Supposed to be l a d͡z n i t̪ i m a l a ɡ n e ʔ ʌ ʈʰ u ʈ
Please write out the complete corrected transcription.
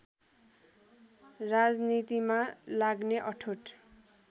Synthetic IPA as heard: r a d͡z n i t̪ i m a l a ɡ n e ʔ ʌ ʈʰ o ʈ